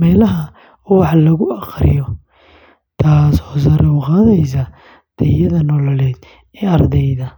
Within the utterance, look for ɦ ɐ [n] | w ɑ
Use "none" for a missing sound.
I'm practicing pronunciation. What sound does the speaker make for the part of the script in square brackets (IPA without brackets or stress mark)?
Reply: none